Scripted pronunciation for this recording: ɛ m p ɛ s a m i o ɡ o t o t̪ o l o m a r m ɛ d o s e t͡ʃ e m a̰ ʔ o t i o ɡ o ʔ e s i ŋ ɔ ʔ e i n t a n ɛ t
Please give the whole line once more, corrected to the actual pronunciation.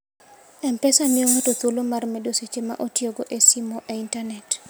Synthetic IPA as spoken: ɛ m p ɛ s a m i o ŋ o t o t̪ o l o m a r m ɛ d o s e t͡ʃ e m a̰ ʔ o t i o ɡ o ʔ e s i m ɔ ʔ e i n t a n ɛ t